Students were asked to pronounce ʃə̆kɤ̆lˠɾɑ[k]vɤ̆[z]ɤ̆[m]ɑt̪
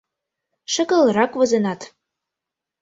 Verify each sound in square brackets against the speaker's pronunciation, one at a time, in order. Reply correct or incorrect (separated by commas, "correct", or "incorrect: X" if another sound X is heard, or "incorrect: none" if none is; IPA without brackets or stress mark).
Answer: correct, correct, incorrect: n